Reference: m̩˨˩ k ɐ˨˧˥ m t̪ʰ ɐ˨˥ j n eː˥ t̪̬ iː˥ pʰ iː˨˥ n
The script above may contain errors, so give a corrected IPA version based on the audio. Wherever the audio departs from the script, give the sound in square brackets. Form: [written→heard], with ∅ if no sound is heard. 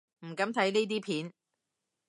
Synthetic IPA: m̩˨˩ k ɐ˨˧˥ m t̪ʰ ɐ˨˥ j n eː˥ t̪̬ iː˥ pʰ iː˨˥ n